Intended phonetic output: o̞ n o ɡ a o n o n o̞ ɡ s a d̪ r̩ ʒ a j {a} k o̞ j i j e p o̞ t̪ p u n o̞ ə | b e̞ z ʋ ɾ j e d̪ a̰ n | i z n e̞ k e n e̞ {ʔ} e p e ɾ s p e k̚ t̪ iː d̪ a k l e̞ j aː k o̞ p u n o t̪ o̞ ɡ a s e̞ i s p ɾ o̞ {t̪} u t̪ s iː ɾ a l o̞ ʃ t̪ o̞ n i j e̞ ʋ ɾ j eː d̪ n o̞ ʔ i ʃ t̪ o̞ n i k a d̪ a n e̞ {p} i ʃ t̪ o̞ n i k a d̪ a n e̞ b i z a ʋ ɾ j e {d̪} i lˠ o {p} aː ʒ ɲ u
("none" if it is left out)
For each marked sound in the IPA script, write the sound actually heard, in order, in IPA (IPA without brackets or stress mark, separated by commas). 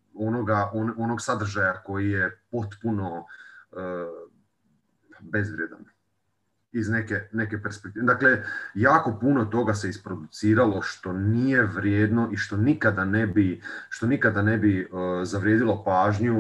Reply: a, k, d̪, b, d̪, p